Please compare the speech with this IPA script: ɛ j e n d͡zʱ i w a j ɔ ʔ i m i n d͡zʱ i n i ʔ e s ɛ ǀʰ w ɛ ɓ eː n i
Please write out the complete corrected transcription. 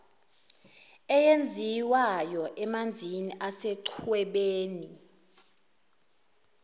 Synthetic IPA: ɛ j e n d͡zʱ i w a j ɔ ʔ ɛ m a n d͡zʱ i n i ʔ a s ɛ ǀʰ w ɛ ɓ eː n i